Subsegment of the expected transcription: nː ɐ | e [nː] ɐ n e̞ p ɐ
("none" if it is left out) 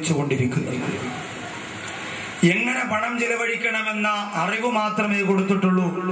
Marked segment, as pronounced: ŋː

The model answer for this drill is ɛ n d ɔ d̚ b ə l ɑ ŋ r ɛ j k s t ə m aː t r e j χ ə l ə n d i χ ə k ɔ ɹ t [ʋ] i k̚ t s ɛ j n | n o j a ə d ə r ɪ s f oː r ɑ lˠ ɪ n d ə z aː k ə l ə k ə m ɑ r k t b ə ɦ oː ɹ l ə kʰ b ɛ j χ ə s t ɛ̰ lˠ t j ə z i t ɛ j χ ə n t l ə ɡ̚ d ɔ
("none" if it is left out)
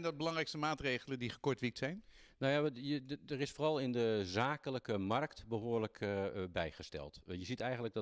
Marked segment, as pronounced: ʋ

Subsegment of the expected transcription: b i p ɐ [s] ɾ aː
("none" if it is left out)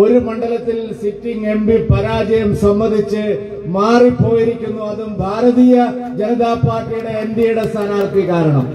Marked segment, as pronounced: none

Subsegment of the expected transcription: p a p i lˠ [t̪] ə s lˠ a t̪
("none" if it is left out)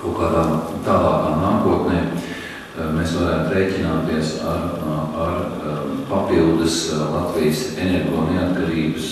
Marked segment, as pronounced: d̪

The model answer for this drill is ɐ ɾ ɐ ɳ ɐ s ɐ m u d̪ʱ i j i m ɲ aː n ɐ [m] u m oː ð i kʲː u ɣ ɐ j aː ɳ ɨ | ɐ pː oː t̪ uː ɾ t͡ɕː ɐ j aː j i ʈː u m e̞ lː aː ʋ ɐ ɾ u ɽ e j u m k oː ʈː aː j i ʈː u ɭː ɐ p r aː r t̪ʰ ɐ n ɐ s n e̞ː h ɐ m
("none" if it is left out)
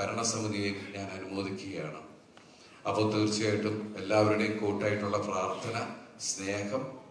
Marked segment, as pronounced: n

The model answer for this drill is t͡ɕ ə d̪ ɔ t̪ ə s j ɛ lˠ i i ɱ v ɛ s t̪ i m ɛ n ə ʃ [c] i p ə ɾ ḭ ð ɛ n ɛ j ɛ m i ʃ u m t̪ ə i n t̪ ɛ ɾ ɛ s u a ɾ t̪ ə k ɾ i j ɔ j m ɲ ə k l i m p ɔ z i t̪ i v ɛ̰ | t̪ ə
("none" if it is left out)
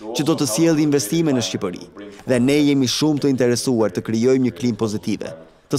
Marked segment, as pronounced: c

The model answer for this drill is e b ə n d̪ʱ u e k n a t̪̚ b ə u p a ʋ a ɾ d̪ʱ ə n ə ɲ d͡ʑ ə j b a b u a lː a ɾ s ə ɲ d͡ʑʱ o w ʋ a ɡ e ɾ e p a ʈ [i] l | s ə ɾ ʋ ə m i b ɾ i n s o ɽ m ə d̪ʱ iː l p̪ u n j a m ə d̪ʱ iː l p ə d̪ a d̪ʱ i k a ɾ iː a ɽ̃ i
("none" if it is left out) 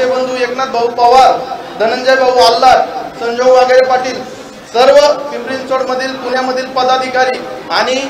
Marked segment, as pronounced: iː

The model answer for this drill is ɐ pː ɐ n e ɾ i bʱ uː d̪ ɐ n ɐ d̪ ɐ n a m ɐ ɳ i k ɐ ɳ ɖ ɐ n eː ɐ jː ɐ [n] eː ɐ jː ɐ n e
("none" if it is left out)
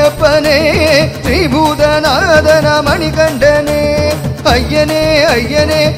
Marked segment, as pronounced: n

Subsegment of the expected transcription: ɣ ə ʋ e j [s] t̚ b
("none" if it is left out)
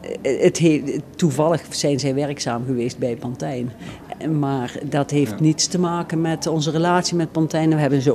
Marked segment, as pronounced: s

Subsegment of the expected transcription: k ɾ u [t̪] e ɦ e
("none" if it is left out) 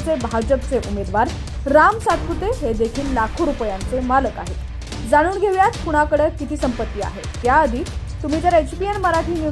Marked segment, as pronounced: t̪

